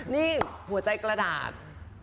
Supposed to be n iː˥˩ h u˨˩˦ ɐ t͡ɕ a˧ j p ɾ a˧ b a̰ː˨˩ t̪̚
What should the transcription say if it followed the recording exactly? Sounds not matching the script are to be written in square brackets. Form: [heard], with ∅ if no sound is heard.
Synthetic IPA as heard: n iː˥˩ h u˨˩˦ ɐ t͡ɕ a˧ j [k] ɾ a˧ [d] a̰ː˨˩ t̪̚